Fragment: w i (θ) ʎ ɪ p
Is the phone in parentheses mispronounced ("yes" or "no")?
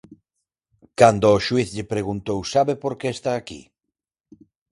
no